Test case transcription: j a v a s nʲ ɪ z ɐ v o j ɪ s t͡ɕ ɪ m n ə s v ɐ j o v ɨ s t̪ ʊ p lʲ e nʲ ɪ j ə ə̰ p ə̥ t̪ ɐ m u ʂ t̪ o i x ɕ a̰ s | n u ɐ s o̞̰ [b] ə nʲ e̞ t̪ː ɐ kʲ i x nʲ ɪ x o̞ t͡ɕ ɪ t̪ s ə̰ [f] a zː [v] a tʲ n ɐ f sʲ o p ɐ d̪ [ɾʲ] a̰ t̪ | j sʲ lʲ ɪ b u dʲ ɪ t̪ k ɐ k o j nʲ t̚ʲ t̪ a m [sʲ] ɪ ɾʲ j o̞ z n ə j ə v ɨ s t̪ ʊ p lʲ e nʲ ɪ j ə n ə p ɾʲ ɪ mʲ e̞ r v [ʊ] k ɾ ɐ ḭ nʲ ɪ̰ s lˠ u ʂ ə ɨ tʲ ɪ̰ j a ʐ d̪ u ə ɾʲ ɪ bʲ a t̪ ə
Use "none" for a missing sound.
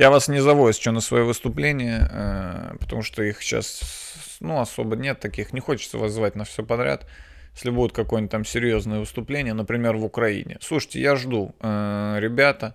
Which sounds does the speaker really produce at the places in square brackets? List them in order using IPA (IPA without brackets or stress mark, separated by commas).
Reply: b, v, v, ɾʲ, sʲ, ʊ